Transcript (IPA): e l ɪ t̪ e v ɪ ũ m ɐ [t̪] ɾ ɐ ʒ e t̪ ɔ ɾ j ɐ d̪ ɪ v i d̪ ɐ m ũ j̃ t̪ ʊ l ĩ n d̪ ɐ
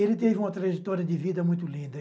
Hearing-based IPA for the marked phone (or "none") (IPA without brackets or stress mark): t̪